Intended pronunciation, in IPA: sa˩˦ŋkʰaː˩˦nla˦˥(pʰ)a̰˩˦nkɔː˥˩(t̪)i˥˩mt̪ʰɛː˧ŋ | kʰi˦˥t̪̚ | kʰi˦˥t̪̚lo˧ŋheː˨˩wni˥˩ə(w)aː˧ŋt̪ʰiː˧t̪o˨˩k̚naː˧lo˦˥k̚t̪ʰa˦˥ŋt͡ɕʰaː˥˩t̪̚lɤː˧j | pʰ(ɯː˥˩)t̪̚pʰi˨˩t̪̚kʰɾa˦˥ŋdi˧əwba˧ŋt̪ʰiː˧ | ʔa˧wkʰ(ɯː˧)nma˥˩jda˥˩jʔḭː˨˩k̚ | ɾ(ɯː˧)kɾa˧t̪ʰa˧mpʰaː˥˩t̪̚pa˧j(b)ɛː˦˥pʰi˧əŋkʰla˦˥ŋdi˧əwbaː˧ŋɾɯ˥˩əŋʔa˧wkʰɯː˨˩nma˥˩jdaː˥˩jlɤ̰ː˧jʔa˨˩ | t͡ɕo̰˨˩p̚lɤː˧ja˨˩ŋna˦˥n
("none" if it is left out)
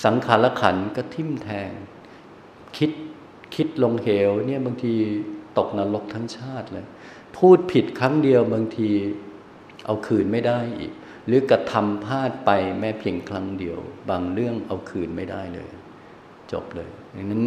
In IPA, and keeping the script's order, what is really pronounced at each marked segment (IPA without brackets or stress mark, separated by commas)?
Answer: kʰ, t̪ʰ, b, uː˥˩, ɯː˨˩, ɯː˩˦, m